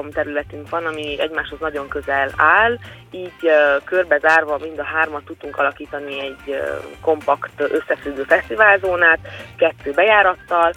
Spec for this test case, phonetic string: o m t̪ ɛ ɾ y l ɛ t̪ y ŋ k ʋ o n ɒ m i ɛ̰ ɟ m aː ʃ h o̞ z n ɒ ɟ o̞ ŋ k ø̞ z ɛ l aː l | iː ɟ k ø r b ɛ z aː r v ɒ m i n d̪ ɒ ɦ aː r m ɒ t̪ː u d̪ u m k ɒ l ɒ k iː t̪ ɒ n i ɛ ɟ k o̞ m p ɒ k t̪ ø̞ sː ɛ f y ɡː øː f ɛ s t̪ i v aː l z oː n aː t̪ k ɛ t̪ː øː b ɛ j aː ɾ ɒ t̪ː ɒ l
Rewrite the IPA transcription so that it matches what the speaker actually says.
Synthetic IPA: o m t̪ ɛ ɾ y l ɛ t̪ y ŋ k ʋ ɒ n ɒ m i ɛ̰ ɟ m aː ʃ h o̞ z n ɒ ɟ o̞ ŋ k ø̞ z ɛ l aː l | iː ɟ k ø r b ɛ z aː r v ɒ m i n d̪ ɒ ɦ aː r m ɒ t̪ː u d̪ u ŋ k ɒ l ɒ k iː t̪ ɒ n i ɛ ɟ k o̞ m p ɒ k t̪ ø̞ sː ɛ f y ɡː øː f ɛ s t̪ i v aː l z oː n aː t̪ k ɛ t̪ː øː b ɛ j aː ɾ ɒ t̪ː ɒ l